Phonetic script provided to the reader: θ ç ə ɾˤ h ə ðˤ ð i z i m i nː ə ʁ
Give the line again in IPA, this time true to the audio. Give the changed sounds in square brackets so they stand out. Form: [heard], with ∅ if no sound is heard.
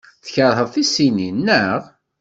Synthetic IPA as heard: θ ç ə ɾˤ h ə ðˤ [θ] i [s] i [n] i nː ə ʁ